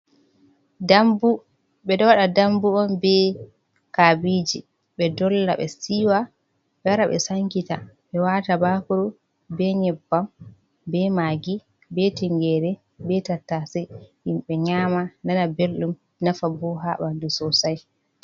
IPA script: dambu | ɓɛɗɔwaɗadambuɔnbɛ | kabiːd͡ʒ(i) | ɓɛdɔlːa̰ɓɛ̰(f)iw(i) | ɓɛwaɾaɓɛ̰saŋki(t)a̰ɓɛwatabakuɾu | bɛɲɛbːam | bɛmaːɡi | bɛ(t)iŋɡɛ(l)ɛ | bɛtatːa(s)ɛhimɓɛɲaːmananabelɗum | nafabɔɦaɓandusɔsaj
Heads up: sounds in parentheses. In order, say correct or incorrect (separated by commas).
correct, incorrect, incorrect, correct, correct, incorrect, correct